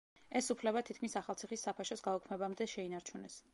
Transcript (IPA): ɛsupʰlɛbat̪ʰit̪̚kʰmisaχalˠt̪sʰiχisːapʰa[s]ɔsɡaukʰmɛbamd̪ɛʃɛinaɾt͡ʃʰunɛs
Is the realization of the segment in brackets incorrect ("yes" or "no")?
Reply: yes